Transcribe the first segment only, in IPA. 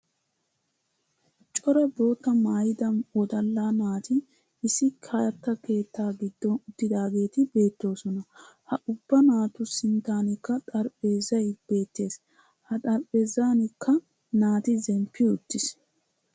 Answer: t͡ʃʼ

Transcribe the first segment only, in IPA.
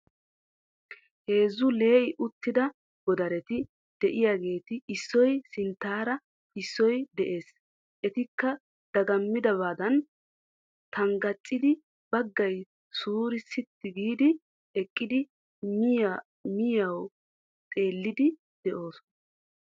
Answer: h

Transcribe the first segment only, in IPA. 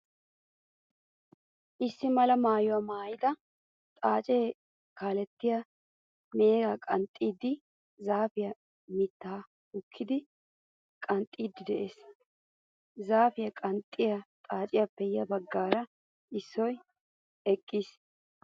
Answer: ʔ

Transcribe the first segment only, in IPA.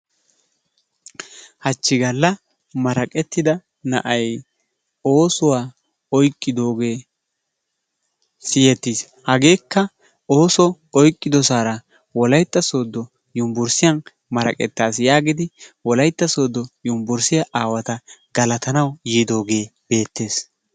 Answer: h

